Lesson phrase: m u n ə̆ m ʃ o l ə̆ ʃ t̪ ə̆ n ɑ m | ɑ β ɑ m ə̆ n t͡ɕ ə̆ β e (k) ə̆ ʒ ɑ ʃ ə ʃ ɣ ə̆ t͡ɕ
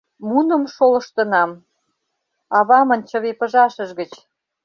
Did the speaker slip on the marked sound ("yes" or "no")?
yes